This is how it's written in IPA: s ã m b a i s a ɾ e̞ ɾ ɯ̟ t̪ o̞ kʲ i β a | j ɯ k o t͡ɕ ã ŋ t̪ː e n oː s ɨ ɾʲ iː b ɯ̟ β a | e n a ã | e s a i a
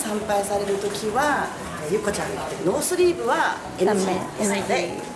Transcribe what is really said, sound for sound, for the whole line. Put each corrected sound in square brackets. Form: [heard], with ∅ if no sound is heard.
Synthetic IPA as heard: s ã m [p] a i s a ɾ e̞ ɾ ɯ̟ t̪ o̞ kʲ i β a | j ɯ k o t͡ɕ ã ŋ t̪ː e n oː s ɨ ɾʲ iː b ɯ̟ β a | e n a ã | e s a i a

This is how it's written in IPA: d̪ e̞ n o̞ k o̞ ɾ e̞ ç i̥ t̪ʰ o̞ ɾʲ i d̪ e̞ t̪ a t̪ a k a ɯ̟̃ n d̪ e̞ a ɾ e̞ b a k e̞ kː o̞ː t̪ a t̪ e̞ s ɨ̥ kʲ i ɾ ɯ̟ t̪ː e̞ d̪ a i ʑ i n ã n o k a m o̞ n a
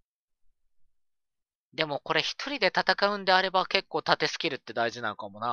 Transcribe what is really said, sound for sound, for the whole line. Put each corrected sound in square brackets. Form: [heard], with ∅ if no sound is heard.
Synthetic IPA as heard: d̪ e̞ [m] o̞ k o̞ ɾ e̞ ç i̥ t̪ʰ o̞ ɾʲ i d̪ e̞ t̪ a t̪ a k a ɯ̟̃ n d̪ e̞ a ɾ e̞ b a k e̞ kː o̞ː t̪ a t̪ e̞ s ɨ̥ kʲ i ɾ ɯ̟ t̪ː e̞ d̪ a i ʑ i n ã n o k a m o̞ n a

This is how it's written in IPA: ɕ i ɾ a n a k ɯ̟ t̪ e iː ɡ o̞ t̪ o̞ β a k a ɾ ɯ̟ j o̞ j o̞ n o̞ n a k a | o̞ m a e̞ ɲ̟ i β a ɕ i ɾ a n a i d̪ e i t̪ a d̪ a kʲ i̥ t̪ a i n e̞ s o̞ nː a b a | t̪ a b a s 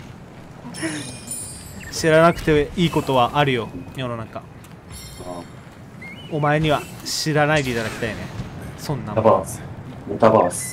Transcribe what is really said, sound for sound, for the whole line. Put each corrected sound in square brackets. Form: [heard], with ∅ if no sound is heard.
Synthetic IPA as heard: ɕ i ɾ a n a k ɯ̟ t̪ e iː [k] o̞ t̪ o̞ β a [ʔ] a ɾ ɯ̟ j o̞ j o̞ n o̞ n a k a | o̞ m a e̞ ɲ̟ i β a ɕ i ɾ a n a i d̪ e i t̪ a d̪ a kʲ i̥ t̪ a i n e̞ s [õ̞] nː a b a | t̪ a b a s

